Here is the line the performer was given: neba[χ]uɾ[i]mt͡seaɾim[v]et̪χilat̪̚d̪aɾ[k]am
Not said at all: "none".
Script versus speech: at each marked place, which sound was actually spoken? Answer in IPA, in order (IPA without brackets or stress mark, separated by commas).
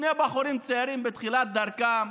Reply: χ, i, b, k